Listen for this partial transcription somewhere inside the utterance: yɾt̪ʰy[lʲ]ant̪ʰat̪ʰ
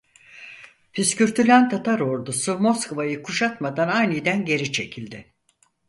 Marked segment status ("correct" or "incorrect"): correct